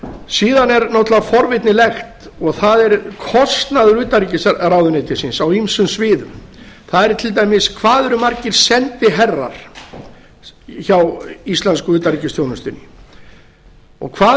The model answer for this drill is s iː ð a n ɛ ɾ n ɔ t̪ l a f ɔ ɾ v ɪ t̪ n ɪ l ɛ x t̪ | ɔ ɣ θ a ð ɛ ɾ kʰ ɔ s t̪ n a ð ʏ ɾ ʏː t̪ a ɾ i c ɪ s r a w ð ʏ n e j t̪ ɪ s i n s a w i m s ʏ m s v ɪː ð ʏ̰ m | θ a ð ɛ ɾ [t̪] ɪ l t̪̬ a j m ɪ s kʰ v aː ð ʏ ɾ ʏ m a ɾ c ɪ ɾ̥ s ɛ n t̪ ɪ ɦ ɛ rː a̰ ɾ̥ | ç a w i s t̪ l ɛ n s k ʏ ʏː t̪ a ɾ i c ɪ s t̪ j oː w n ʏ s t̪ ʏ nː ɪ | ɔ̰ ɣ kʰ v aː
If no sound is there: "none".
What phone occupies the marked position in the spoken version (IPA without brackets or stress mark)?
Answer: t̪ʰ